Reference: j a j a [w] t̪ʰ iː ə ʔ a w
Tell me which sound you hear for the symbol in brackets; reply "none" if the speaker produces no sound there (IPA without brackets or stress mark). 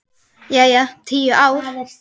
none